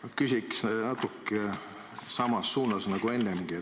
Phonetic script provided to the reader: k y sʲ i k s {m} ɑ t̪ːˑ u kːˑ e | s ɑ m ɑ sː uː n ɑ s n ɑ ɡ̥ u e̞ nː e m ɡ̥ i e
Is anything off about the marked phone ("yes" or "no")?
yes